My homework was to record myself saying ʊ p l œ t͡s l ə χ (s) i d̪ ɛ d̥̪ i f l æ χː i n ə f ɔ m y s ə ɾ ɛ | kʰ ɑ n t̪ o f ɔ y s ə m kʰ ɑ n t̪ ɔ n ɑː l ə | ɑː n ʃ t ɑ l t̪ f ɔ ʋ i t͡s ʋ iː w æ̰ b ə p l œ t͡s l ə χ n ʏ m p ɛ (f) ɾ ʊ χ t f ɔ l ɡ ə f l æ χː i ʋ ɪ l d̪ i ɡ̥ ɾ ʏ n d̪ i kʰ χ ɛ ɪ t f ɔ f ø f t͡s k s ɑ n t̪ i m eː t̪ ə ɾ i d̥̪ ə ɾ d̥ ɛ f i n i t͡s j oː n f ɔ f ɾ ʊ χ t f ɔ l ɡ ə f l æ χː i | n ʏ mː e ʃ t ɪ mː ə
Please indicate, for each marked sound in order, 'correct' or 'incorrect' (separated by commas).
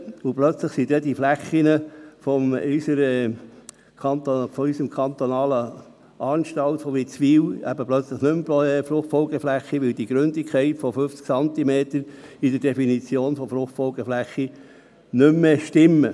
correct, correct